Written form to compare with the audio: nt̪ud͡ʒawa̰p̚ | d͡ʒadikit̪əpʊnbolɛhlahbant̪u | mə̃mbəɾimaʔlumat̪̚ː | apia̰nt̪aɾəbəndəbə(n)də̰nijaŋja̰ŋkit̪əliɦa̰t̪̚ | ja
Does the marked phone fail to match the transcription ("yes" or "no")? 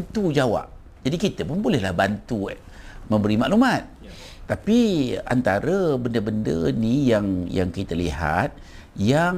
no